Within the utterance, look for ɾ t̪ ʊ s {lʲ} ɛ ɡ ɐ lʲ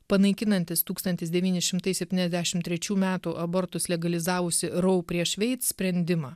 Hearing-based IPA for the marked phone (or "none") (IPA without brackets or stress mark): lʲ